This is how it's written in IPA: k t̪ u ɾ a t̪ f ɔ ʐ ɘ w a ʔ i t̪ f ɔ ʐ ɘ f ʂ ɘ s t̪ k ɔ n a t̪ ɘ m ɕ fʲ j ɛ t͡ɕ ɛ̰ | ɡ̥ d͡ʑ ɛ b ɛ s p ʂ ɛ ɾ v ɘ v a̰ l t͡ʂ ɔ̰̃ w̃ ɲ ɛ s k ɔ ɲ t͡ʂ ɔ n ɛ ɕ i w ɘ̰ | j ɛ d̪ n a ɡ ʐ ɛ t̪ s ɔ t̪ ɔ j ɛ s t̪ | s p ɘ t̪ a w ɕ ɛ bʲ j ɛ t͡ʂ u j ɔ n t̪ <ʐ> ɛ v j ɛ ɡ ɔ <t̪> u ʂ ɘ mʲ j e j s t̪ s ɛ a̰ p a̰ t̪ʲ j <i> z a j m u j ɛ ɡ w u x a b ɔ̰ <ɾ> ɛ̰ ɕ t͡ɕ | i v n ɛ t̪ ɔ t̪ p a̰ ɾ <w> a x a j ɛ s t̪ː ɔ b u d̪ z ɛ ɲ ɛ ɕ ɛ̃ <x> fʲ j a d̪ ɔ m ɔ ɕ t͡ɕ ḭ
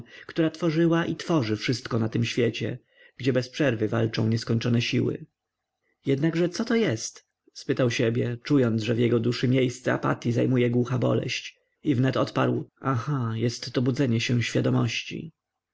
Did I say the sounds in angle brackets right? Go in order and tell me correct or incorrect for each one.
correct, incorrect: d̪, correct, incorrect: l, correct, incorrect: ɕ

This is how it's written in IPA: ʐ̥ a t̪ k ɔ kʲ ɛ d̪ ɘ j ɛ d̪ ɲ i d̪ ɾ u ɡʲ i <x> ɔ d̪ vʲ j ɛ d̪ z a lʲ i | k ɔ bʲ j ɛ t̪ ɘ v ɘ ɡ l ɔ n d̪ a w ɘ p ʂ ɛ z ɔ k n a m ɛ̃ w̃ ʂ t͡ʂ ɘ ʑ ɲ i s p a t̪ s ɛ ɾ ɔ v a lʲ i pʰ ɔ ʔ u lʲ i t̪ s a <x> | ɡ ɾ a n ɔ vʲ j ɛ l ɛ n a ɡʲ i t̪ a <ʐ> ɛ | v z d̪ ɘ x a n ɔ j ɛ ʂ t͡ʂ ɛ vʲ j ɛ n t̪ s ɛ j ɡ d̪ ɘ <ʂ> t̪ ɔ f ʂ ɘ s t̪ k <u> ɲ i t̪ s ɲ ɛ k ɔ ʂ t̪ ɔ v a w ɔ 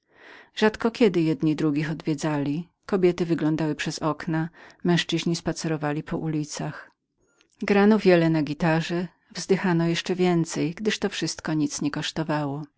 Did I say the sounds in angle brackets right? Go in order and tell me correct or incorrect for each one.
correct, correct, correct, correct, incorrect: ɔ

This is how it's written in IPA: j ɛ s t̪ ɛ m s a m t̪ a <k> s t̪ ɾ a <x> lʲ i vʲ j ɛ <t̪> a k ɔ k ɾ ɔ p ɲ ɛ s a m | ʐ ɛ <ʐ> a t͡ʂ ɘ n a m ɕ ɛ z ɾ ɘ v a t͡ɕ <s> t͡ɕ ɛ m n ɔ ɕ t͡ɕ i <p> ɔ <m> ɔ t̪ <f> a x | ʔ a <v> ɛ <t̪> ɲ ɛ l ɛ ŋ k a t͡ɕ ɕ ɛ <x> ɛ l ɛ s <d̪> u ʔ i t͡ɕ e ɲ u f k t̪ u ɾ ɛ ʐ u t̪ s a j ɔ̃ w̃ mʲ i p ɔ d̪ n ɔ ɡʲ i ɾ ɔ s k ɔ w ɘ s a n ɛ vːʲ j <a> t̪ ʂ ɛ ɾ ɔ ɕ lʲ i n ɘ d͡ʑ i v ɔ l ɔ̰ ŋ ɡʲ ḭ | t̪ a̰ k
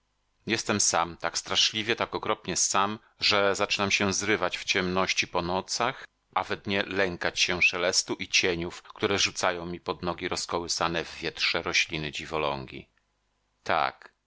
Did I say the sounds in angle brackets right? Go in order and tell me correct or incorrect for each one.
correct, incorrect: ʂ, correct, incorrect: z, incorrect: f, correct, incorrect: n, incorrect: s, correct, incorrect: d̪, incorrect: ʂ, incorrect: t̪, incorrect: ɛ

